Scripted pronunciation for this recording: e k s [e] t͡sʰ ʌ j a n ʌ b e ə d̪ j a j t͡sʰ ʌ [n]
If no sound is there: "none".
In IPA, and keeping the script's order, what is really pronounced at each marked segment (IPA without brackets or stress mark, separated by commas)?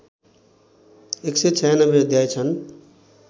e, n